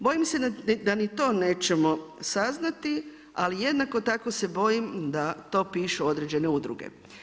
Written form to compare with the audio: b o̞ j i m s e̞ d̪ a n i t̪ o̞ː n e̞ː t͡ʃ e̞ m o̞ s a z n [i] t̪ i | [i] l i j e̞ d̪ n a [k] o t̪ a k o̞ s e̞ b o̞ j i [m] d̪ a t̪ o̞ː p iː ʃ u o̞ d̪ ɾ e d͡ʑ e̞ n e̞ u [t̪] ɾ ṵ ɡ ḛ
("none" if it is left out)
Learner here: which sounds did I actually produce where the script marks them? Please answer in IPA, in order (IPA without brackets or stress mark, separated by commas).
a, a, k, m, d̪